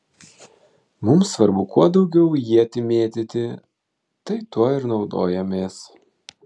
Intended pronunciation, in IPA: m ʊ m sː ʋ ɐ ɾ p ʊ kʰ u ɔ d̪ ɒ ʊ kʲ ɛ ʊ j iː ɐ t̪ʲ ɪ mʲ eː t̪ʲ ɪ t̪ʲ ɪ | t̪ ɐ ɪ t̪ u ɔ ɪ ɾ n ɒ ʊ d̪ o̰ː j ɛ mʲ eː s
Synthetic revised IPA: m ʊ m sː ʋ ɐ ɾ b ʊ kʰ u ɔ d̪ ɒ ʊ ɡʲ ɛ ʊ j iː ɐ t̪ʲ ɪ mʲ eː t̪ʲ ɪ t̪ʲ ɪ | t̪ ɐ ɪ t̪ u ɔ ɪ ɾ n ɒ ʊ d̪ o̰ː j ɛ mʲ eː s